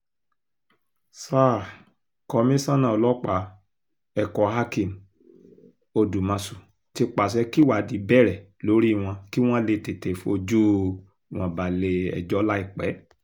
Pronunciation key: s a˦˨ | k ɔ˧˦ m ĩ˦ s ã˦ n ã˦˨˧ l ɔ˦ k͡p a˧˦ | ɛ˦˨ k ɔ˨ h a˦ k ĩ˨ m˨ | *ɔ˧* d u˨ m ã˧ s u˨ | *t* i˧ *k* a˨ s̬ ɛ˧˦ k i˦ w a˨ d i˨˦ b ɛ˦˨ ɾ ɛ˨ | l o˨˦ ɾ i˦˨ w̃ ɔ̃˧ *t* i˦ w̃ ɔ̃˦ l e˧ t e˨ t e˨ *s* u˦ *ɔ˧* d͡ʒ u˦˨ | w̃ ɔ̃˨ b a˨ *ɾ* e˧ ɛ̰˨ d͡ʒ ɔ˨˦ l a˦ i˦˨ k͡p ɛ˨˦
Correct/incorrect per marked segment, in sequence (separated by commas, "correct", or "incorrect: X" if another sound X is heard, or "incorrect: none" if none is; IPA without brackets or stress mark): incorrect: o˧, correct, incorrect: k͡p, incorrect: k, incorrect: f, incorrect: o˧, incorrect: l